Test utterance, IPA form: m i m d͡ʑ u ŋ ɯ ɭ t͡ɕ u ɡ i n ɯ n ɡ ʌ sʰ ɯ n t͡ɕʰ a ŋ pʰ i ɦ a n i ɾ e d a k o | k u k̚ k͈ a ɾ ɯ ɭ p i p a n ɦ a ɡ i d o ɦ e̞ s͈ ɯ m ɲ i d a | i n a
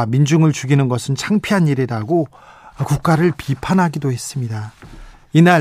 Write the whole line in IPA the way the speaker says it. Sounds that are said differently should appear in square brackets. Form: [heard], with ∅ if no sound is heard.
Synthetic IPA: m i [n] d͡ʑ u ŋ ɯ ɭ t͡ɕ u ɡ i n ɯ n ɡ ʌ sʰ ɯ n t͡ɕʰ a ŋ pʰ i ɦ a n i ɾ e d a [ɡ] o | k u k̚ k͈ a ɾ ɯ ɭ p i [pʰ] a n ɦ a ɡ i d o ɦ e̞ s͈ ɯ m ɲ i d a | i n a